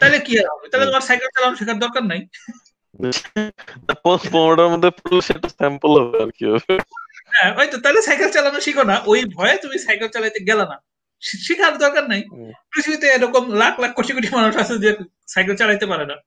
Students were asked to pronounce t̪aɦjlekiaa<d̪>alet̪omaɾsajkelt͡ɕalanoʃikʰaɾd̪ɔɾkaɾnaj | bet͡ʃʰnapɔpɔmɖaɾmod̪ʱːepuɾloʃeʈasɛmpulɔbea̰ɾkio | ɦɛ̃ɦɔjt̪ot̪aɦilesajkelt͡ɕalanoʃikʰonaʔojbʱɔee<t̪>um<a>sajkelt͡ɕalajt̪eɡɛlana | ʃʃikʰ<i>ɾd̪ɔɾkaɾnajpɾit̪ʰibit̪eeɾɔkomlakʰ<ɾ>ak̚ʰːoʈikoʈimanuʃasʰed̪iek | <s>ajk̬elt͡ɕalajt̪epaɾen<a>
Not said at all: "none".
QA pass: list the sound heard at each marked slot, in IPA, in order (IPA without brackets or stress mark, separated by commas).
t̪, t̪, i, a, l, s, a